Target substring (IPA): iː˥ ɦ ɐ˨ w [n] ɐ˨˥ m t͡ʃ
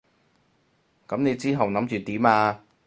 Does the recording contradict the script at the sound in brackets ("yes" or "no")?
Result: no